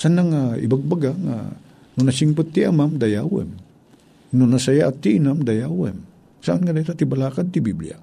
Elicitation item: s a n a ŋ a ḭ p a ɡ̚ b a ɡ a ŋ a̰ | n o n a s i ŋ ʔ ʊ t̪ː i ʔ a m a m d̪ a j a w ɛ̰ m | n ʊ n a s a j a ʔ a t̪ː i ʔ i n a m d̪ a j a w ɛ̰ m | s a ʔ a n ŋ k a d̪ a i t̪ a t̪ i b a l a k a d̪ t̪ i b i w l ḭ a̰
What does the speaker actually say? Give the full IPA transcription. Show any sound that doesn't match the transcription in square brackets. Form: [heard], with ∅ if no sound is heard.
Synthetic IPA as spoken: s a n a ŋ a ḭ [b] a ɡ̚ b a ɡ a ŋ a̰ | n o n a s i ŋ [p] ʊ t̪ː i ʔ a m a m d̪ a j a w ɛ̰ m | n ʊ n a s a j a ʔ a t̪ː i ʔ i n a m d̪ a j a w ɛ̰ m | s a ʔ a n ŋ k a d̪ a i t̪ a t̪ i b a l a k a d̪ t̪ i b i [b] l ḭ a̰